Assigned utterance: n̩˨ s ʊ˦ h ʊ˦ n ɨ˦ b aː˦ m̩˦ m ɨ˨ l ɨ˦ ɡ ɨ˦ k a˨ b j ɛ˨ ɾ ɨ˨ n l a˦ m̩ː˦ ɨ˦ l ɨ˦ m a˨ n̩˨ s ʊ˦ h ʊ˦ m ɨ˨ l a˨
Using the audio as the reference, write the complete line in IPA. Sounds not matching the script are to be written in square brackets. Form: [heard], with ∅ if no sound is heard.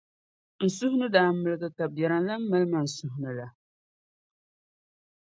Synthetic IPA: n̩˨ s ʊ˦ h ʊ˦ n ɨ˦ [d] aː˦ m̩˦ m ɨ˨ l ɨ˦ ɡ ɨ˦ k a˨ b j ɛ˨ ɾ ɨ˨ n l a˦ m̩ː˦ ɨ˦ l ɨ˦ m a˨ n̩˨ s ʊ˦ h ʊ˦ [n] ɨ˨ l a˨